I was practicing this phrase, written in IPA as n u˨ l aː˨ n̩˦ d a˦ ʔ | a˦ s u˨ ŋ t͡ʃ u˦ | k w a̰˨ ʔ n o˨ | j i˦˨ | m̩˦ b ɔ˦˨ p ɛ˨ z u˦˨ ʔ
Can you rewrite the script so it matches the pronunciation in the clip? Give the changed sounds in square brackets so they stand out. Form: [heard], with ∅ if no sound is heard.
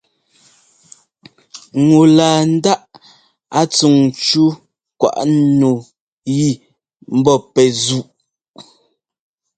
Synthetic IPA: [ŋ] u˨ l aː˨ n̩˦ d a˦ ʔ | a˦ [t͡s] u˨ ŋ t͡ʃ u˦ | k w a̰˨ ʔ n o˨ | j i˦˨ | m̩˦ b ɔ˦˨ p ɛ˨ z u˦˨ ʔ